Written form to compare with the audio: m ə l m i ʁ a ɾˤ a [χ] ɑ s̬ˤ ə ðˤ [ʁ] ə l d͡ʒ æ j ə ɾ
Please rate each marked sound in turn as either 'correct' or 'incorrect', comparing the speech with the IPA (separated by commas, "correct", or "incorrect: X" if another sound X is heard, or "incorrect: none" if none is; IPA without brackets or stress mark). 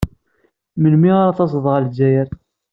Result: incorrect: θ, correct